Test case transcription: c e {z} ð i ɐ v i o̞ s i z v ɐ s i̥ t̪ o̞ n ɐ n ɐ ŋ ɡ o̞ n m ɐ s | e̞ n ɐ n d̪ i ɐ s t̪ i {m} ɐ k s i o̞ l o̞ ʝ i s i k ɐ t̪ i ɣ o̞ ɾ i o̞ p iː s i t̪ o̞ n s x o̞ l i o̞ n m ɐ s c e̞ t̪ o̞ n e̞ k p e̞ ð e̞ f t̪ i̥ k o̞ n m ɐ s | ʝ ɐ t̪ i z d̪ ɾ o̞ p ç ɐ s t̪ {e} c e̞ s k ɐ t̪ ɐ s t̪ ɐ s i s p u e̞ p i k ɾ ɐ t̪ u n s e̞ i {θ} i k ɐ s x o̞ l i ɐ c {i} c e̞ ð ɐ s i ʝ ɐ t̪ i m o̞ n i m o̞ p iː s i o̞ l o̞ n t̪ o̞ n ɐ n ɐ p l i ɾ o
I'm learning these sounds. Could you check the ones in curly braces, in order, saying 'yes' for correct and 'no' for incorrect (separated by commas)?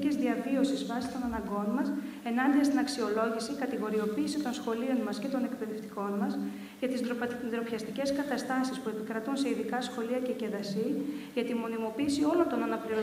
yes, no, no, no, no